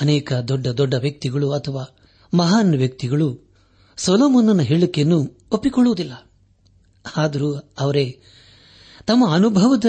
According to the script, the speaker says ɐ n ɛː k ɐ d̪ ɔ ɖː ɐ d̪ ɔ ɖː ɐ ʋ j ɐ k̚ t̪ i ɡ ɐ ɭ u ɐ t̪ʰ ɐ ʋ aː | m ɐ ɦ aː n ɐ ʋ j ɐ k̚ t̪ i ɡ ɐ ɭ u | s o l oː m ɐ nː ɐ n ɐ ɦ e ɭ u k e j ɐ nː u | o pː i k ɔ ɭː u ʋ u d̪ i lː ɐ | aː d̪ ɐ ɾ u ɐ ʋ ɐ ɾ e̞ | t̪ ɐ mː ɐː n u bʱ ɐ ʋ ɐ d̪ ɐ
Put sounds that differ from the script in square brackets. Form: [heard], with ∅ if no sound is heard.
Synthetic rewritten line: ɐ n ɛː k ɐ d̪ ɔ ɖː ɐ d̪ ɔ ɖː ɐ ʋ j ɐ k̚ t̪ i ɡ ɐ ɭ u ɐ t̪ʰ ɐ ʋ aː | m ɐ ɦ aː n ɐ ʋ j ɐ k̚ t̪ i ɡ ɐ ɭ u | s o l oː m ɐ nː ɐ n ɐ ɦ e ɭ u k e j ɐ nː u | o pː i k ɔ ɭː u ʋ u d̪ i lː ɐ | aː d̪ ɐ ɾ u ɐ ʋ ɐ ɾ e̞ | t̪ ɐ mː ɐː n u bʱ ɐ ʋ ɐ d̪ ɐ